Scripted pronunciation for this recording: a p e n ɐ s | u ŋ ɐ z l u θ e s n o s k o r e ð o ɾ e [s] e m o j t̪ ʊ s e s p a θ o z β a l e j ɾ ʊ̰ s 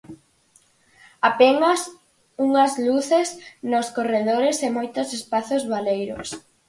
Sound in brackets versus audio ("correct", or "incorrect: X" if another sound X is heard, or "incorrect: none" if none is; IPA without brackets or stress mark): correct